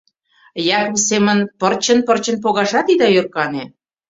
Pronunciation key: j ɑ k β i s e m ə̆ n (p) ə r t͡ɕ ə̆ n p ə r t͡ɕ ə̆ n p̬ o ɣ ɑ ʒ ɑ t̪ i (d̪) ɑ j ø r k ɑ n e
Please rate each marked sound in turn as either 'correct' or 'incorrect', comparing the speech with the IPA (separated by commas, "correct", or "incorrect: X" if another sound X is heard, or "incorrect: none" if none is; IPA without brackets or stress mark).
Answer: correct, correct